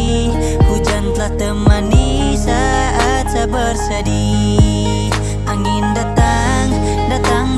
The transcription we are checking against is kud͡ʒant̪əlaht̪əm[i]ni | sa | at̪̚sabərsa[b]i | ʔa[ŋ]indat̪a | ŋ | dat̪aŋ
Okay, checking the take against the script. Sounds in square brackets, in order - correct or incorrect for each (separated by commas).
incorrect, incorrect, correct